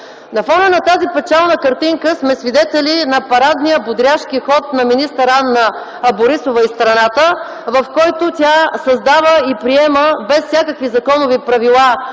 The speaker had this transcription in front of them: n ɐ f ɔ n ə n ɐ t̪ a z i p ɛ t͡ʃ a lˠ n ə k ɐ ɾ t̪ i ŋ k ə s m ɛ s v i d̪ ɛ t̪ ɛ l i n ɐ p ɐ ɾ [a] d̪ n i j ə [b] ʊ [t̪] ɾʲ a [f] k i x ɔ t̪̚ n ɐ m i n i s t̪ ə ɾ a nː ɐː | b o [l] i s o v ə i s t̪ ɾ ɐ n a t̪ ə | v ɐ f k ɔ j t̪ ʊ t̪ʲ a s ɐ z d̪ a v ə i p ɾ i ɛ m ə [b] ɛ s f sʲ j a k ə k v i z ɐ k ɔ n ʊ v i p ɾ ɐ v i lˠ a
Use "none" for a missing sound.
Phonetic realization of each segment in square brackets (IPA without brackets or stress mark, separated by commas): a, b, d̪, ʃ, ɾ, b